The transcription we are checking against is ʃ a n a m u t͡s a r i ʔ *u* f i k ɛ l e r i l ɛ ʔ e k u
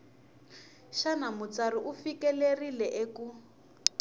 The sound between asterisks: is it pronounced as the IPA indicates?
yes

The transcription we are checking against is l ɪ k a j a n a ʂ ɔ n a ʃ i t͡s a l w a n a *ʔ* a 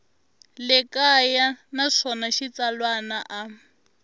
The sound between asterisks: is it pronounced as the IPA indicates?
yes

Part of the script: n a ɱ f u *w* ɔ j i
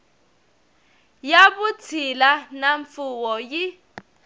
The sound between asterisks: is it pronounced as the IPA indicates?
yes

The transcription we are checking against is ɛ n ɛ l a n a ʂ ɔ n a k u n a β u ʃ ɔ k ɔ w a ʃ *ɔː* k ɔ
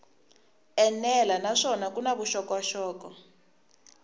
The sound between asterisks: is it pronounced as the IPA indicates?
yes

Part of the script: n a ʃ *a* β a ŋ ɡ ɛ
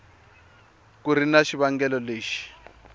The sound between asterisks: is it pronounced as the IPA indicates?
no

